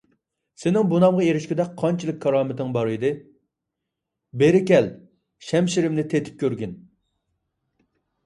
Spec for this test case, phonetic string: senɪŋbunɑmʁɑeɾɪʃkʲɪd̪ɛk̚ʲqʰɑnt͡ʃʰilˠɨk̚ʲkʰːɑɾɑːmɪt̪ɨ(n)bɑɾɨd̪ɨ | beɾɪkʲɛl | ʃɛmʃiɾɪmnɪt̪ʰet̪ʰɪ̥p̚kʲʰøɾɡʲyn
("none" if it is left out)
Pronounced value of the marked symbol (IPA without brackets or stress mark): ŋ